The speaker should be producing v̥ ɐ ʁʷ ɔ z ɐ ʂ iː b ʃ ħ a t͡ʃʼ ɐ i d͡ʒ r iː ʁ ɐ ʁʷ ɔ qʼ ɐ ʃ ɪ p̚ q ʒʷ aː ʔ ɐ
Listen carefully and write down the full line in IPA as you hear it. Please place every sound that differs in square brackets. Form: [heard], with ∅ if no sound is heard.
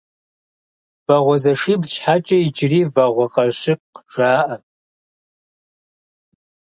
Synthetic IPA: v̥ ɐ ʁʷ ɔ z ɐ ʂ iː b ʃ ħ a t͡ʃʼ ɐ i d͡ʒ r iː [v] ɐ ʁʷ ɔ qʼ ɐ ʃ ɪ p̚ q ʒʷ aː ʔ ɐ